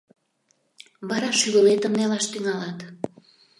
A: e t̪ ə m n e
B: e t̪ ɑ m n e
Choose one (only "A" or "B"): A